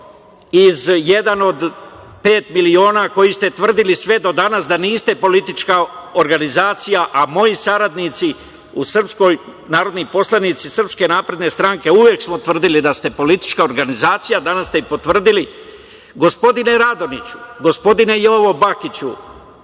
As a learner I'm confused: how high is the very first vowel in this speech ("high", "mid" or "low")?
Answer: high